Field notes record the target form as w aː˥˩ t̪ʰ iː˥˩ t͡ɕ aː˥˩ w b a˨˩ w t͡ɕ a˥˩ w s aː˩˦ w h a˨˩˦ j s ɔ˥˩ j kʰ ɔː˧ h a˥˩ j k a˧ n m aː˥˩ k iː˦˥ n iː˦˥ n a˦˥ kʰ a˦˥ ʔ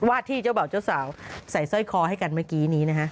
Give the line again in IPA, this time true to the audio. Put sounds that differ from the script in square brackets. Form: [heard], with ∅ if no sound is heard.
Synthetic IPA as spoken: w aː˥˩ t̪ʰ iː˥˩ t͡ɕ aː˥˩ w b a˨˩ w t͡ɕ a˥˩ w s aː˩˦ w [s] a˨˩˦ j s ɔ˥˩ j kʰ ɔː˧ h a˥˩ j k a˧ n m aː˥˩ k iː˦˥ n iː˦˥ n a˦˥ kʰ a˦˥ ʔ